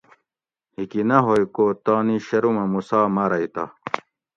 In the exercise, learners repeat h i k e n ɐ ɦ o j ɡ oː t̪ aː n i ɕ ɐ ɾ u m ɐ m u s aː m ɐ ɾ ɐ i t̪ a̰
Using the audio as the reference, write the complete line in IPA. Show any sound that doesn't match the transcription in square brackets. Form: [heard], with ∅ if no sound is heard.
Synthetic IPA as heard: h i k [i] n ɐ ɦ o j [k] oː t̪ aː n i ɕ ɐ ɾ u m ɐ m u s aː m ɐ ɾ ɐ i t̪ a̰